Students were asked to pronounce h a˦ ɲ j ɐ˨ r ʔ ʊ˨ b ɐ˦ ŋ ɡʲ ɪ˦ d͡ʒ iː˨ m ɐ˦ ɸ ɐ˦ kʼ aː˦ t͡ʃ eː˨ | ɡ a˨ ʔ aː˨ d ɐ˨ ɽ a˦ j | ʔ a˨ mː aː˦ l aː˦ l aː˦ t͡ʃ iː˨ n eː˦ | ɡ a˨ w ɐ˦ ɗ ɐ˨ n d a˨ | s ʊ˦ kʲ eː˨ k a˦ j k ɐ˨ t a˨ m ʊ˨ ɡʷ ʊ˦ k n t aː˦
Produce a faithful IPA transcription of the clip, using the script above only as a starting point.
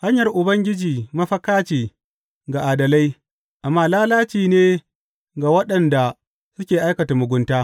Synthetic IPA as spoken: h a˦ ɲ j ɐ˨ r ʔ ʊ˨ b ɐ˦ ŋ ɡʲ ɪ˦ d͡ʒ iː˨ m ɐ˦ ɸ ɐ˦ k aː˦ t͡ʃ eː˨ | ɡ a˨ ʔ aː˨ d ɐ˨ l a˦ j | ʔ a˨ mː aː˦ l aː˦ l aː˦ t͡ʃ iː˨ n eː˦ | ɡ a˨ w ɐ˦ ɗ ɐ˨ n d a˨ | s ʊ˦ kʲ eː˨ ʔ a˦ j k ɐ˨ t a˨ m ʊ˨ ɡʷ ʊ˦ n t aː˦